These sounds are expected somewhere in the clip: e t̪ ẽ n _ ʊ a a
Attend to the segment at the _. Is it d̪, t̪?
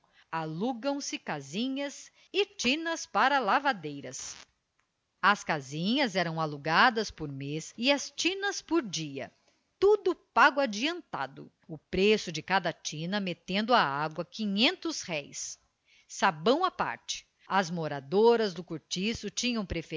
d̪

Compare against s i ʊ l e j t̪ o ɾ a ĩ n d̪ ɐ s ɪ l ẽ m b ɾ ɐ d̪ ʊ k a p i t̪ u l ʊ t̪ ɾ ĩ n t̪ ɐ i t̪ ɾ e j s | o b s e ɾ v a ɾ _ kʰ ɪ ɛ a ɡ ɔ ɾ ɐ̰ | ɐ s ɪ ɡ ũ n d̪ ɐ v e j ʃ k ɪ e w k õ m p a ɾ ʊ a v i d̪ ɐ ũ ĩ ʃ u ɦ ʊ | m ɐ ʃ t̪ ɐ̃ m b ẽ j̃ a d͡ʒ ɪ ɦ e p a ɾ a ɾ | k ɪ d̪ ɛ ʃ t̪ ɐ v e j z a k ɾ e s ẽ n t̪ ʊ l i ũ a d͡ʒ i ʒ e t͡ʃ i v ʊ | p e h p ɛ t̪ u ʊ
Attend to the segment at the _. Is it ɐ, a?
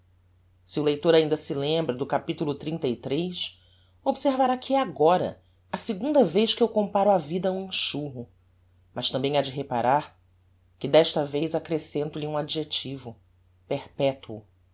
a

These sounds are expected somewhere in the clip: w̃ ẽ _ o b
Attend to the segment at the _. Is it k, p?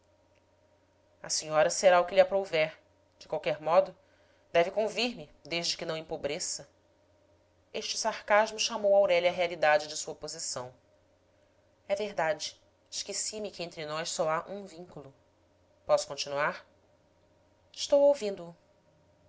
p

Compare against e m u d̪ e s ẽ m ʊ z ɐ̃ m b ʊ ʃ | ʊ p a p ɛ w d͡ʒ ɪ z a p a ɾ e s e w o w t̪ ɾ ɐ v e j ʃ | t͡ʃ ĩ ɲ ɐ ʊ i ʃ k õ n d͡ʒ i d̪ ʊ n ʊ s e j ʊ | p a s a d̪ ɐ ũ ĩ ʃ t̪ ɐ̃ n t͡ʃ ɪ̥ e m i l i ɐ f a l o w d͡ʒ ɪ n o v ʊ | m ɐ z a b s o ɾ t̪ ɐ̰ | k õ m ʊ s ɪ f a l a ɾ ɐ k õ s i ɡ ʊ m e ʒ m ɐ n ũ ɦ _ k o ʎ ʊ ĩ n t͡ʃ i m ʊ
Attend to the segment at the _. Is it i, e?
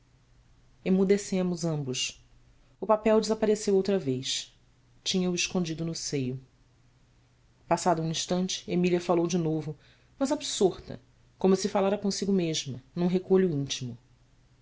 e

